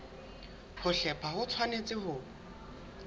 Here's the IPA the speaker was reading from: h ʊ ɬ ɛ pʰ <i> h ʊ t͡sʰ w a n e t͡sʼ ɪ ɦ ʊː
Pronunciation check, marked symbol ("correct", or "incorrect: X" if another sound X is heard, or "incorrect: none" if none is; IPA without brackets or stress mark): incorrect: a